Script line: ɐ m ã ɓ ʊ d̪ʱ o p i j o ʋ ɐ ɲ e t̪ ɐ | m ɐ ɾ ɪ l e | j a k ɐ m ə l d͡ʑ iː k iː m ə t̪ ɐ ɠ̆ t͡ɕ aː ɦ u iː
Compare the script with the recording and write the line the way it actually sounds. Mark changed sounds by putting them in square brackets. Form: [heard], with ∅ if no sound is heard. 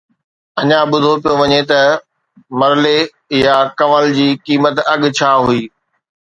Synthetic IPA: ɐ [ɲ] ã ɓ ʊ d̪ʱ o p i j o ʋ ɐ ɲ e t̪ ɐ | m ɐ ɾ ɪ l e | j a k ɐ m ə l d͡ʑ iː k iː m ə t̪ ɐ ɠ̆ [t͡ɕʰ] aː ɦ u iː